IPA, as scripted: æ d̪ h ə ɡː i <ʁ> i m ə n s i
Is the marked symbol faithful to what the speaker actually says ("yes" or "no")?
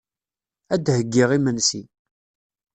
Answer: yes